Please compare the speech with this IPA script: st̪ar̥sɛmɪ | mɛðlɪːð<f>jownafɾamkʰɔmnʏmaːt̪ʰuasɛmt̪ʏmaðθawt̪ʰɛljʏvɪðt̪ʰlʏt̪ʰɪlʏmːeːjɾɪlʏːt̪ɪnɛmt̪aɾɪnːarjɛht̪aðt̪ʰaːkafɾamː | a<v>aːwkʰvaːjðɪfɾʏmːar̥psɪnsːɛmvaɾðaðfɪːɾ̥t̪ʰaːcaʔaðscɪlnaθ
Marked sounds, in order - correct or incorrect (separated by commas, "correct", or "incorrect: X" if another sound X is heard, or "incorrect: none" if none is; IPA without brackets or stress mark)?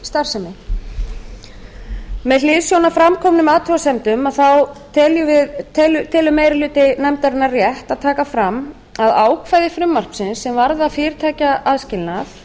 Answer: incorrect: s, incorrect: ð